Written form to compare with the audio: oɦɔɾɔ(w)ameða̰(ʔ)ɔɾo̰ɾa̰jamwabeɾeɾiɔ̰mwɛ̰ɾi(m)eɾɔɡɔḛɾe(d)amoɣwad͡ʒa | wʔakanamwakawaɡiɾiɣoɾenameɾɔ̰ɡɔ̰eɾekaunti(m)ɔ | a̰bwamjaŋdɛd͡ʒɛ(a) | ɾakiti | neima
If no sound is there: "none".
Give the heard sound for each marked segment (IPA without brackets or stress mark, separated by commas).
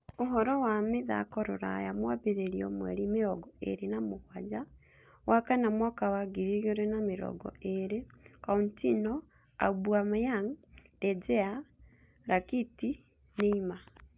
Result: w, k, m, n, n, a